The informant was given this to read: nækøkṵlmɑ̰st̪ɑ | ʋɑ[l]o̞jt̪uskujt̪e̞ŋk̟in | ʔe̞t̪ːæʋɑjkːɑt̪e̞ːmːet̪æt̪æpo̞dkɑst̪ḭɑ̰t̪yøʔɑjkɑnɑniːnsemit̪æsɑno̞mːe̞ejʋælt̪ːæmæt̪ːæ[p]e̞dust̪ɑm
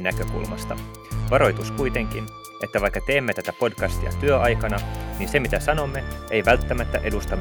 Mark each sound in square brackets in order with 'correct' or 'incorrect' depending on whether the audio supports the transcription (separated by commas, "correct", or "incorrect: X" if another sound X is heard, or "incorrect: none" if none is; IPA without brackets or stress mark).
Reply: incorrect: ɾ, incorrect: ʔ